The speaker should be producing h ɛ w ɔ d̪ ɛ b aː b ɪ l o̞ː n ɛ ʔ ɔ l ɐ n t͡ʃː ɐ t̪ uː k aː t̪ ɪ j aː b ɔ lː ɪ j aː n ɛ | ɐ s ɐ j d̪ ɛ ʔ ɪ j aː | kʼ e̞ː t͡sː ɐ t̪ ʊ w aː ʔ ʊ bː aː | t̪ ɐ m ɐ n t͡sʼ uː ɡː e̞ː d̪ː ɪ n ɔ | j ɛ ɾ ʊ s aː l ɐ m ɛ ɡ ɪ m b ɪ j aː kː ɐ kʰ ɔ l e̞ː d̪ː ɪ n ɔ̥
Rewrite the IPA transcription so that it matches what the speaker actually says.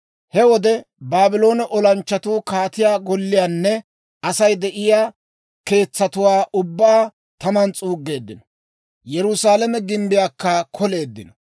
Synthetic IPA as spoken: h ɛ w ɔ d̪ ɛ b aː b ɪ l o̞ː n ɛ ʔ ɔ l ɐ n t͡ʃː ɐ t̪ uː k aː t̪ ɪ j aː ɡ ɔ lː ɪ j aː nː ɛ | ɐ s ɐ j d̪ ɛ ʔ ɪ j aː | k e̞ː t͡sː ɐ t̪ ʊ w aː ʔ ʊ bː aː | t̪ ɐ m ɐ n t͡sʼ uː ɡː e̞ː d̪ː ɪ n ɔ | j ɛ ɾ ʊ s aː l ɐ m ɛ ɡ ɪ m b ɪ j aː kː ɐ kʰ ɔ l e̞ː d̪ː ɪ n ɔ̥

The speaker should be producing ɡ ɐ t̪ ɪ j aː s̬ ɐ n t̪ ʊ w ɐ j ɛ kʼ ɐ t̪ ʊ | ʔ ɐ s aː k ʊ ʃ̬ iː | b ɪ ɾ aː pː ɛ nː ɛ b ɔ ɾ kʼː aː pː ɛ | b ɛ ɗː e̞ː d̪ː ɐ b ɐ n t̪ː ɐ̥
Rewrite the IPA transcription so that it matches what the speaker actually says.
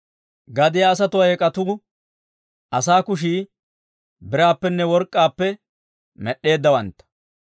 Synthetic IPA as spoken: ɡ ɐ d̪ ɪ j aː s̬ ɐ t̪ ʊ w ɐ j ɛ kʼ ɐ t̪ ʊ | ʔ ɐ s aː k ʊ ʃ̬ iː | b ɪ ɾ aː pː ɛ nː ɛ w ɔ ɾ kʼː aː pː ɛ | m ɛ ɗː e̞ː d̪ː ɐ w ɐ n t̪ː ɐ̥

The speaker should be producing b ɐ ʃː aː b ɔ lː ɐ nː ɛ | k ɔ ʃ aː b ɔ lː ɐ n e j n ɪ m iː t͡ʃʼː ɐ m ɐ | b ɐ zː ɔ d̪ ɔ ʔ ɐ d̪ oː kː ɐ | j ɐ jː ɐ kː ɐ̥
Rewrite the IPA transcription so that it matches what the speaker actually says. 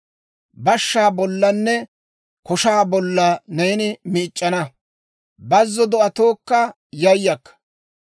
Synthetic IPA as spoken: b ɐ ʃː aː b ɔ lː ɐ nː ɛ | k ɔ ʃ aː b ɔ lː ɐ n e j n ɪ m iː t͡ʃʼː ɐ n ɐ | b ɐ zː ɔ d̪ ɔ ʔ ɐ t̪ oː kː ɐ | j ɐ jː ɐ kː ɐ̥

